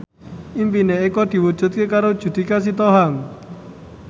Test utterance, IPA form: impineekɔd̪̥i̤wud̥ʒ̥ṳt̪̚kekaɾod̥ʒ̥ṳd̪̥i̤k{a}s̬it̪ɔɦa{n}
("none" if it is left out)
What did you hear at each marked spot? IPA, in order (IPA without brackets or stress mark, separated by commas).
a, ŋ